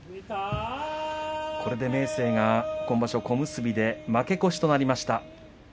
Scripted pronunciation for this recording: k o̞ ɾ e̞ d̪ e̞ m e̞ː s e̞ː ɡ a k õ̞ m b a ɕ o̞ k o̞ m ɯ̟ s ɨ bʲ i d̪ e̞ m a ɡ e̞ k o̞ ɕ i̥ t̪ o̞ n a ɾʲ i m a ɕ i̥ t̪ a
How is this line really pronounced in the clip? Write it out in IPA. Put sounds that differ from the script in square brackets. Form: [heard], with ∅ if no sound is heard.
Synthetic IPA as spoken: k o̞ ɾ e̞ d̪ e̞ m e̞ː s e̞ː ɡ a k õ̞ m b a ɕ o̞ k o̞ m ɯ̟ s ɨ bʲ i d̪ e̞ m a [k] e̞ k o̞ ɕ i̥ t̪ o̞ n a ɾʲ i m a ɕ i̥ t̪ a